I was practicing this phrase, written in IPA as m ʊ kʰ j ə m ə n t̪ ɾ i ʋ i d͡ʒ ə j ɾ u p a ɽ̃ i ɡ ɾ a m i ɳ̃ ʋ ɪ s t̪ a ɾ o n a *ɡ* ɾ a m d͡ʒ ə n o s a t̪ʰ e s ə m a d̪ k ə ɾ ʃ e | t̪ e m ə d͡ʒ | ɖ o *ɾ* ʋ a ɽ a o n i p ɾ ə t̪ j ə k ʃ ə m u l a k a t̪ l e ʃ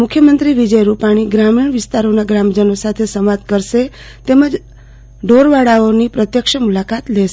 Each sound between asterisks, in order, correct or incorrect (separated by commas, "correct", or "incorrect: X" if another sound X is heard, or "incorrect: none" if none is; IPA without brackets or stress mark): correct, correct